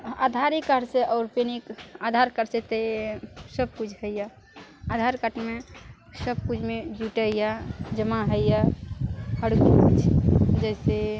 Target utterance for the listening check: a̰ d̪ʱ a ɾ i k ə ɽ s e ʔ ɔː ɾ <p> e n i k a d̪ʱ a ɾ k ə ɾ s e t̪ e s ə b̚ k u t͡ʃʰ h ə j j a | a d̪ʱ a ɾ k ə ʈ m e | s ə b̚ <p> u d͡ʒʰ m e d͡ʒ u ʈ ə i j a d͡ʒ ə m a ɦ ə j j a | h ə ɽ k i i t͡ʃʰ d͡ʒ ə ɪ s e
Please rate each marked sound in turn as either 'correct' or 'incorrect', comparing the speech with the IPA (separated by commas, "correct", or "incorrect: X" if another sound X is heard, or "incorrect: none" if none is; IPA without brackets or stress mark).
correct, incorrect: k